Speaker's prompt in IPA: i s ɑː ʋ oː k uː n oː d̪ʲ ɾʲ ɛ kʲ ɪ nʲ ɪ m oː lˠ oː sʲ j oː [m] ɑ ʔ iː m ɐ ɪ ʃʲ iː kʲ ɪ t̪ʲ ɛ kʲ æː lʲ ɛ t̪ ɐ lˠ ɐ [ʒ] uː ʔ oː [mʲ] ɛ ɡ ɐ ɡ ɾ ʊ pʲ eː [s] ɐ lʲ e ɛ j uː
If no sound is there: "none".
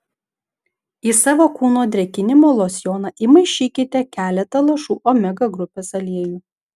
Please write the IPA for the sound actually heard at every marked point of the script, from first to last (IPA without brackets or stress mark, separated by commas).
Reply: n, ʃ, mʲ, s